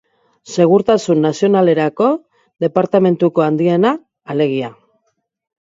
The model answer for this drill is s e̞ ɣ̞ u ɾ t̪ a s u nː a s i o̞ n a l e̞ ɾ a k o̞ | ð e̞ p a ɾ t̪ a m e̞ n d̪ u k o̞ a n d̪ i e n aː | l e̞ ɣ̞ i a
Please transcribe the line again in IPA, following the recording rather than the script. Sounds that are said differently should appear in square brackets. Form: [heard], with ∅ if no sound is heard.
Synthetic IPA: s e̞ ɣ̞ u ɾ t̪ a s u nː a s i o̞ n a l e̞ ɾ a k o̞ | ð e̞ p a ɾ t̪ a m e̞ n [t̪] u k o̞ a n d̪ i e n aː | l e̞ ɣ̞ i a